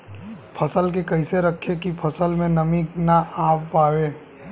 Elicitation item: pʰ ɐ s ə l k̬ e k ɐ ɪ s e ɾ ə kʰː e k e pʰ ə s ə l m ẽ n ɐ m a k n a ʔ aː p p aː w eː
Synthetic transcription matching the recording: pʰ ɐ s ə l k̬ e k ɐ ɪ s e ɾ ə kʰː e k i pʰ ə s ə l m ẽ n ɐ m i k n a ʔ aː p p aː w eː